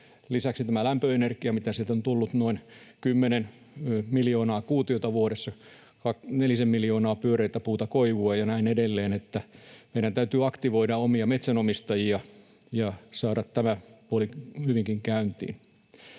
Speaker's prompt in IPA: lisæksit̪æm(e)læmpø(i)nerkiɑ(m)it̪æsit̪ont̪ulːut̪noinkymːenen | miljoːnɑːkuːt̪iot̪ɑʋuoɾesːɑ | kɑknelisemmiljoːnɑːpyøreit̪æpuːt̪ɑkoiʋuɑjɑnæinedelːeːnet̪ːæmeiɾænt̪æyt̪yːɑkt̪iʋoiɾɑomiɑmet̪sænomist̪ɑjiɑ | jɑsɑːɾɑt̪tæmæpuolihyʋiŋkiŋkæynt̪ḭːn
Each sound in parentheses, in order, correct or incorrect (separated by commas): incorrect, incorrect, correct